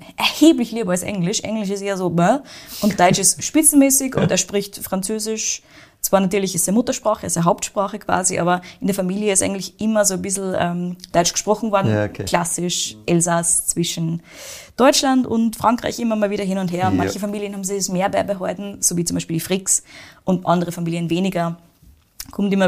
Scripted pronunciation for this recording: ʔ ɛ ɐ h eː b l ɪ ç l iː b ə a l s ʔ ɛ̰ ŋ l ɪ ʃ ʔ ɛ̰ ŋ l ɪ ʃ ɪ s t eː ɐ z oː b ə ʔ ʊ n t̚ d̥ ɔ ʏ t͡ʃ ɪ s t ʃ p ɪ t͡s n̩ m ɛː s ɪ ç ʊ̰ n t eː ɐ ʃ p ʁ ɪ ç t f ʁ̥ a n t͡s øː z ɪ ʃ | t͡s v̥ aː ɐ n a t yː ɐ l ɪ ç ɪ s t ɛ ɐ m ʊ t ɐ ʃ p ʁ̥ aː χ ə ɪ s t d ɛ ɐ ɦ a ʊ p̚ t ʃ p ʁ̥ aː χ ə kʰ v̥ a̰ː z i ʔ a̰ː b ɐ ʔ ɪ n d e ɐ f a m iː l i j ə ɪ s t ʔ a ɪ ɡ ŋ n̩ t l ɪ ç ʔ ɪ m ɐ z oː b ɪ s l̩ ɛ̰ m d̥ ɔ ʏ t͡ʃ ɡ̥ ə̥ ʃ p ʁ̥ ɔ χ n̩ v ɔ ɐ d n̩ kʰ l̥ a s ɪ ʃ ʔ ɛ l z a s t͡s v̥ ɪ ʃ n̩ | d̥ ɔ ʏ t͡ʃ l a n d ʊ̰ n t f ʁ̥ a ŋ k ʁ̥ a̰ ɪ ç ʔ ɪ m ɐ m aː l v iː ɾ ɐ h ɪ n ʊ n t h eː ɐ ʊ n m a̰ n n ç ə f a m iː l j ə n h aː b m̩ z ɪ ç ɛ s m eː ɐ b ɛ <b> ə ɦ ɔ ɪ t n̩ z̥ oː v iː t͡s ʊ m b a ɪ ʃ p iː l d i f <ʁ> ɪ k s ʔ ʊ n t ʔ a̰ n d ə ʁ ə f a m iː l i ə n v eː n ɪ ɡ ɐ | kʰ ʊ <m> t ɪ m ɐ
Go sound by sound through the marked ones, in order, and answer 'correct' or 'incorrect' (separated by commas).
correct, correct, correct